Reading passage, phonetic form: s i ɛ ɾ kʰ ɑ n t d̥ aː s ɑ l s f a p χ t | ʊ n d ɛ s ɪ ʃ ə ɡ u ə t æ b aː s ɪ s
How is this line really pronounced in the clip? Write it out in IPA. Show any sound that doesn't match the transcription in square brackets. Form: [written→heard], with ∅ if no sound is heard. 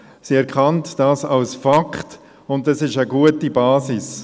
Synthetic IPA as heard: s i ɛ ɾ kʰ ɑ n t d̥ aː s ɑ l s f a [p→k] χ t | ʊ n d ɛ s ɪ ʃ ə ɡ u ə t [æ→i] b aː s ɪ s

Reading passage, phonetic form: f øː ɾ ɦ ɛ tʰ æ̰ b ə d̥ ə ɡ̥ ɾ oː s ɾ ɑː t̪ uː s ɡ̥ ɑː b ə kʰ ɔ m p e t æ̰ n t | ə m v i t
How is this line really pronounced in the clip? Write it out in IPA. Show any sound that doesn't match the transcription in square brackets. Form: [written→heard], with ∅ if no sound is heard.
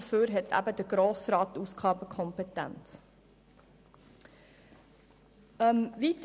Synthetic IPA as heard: f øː ɾ ɦ ɛ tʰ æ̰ b ə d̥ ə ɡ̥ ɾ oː s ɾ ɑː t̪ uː s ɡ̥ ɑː b ə kʰ ɔ m p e t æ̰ n [t→t͡s] | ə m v i t

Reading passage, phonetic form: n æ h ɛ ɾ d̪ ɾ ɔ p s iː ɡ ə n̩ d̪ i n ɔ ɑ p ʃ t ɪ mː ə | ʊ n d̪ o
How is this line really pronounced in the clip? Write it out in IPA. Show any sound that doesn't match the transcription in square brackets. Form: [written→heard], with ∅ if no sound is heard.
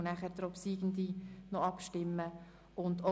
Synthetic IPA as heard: n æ [h→χ] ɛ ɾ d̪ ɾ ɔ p s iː ɡ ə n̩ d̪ i n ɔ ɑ p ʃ t ɪ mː ə | ʊ n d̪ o

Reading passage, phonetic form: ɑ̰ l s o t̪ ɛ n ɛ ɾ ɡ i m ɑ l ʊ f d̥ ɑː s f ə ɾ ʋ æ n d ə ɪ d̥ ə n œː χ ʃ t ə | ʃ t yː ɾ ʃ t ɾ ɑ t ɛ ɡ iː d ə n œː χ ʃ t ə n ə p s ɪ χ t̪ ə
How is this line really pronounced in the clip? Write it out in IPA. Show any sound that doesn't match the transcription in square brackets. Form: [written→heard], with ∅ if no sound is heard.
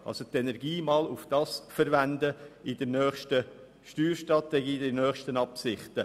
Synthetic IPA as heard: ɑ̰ l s o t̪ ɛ n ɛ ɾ ɡ [i→iː] m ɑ l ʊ f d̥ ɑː s f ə ɾ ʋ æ n d ə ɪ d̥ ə n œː χ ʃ t ə | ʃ t yː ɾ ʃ t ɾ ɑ t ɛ ɡ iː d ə n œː χ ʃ t ə n [ə→ɑ] p s ɪ χ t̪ ə

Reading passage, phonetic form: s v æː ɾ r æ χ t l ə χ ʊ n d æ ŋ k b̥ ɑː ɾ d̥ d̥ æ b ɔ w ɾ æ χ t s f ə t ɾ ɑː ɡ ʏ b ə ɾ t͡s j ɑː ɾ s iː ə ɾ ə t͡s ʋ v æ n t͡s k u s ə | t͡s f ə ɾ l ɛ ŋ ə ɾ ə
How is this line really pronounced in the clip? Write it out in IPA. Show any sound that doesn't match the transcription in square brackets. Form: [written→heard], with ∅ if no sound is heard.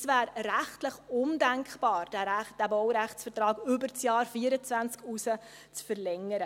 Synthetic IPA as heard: s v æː ɾ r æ χ t l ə χ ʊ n d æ ŋ k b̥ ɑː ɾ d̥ d̥ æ b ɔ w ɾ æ χ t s f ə t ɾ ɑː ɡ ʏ b ə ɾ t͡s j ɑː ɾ [s→f] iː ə ɾ ə t͡s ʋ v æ n t͡s k u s ə | t͡s f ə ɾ l ɛ ŋ ə ɾ ə

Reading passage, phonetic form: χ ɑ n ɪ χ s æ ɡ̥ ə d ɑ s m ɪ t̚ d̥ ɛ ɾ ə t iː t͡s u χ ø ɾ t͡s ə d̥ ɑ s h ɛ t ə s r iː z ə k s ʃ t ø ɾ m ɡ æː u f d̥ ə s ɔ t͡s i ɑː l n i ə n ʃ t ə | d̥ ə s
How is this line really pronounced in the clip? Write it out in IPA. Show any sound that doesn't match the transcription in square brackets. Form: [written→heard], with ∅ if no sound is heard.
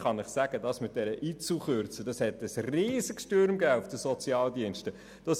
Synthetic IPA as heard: χ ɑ n ɪ χ s æ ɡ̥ ə d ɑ s m ɪ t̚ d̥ ɛ ɾ ə [t→ʔ] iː t͡s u χ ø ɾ t͡s ə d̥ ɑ s h ɛ t ə s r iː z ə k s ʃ t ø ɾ m ɡ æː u f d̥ ə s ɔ t͡s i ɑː l [n→d] i ə n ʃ t ə | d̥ [ə→ɑ] s

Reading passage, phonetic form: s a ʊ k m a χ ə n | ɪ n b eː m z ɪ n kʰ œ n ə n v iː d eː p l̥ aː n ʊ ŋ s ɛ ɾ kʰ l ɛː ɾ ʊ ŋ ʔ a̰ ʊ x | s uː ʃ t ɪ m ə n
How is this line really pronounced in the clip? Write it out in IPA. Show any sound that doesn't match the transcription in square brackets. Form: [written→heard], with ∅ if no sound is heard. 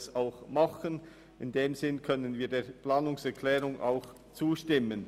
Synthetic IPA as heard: s a ʊ [k→x] m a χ ə n | ɪ n [b→d] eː m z ɪ n kʰ œ n ə n v iː d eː p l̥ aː n ʊ ŋ s ɛ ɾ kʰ l ɛː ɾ ʊ ŋ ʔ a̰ ʊ x | [s→t͡s] uː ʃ t ɪ m ə n

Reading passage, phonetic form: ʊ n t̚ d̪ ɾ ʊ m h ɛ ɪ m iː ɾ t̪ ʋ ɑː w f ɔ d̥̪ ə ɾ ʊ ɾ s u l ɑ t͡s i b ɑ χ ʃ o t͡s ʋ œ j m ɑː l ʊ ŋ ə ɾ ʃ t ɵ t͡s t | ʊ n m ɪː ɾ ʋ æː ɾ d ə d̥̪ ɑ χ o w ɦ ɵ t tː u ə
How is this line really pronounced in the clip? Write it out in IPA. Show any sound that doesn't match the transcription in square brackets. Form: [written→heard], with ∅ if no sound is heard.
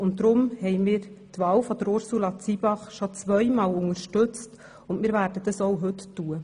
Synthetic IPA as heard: ʊ n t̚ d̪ ɾ ʊ m h ɛ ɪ m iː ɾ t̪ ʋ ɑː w f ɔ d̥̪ ə ɾ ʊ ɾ s u l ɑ t͡s i b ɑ χ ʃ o t͡s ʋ œ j m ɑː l ʊ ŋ ə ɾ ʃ t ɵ t͡s t | ʊ n m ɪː ɾ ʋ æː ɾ d ə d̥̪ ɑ [χ→s] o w ɦ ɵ t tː u ə

